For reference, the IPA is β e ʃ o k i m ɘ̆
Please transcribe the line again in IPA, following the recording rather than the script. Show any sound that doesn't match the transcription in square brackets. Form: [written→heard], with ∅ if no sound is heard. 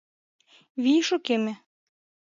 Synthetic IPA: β [e→i] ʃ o k [i→e] m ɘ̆